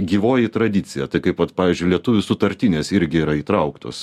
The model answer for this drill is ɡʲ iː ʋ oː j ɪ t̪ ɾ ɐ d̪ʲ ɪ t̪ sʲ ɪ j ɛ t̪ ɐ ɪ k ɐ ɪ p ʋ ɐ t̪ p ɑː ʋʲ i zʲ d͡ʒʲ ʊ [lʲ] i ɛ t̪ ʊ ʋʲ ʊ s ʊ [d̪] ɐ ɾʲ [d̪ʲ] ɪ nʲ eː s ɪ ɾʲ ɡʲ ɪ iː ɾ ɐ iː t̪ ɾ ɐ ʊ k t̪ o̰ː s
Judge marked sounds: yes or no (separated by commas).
yes, no, no